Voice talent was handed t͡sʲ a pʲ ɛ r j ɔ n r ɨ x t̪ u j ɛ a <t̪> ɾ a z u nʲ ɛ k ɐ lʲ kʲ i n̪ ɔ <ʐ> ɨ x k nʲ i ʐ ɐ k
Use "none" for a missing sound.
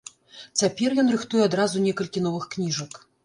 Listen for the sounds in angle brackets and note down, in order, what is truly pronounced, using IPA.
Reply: d̪, v

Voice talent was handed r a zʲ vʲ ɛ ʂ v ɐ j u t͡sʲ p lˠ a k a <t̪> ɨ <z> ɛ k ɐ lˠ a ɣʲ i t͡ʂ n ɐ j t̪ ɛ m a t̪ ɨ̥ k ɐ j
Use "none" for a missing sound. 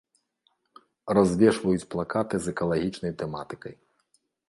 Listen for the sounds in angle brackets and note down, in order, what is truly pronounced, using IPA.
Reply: t̪, z

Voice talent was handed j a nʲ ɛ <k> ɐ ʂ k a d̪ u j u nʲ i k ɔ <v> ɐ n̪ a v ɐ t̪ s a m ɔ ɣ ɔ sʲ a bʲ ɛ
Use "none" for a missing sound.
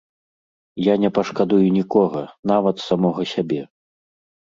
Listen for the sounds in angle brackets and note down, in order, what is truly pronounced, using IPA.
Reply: p, ɣ

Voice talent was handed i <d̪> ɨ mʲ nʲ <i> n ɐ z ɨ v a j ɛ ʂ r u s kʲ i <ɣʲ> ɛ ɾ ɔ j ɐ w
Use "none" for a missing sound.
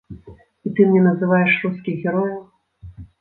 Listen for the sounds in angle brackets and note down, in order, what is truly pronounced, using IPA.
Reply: t̪, ɛ, ɣʲ

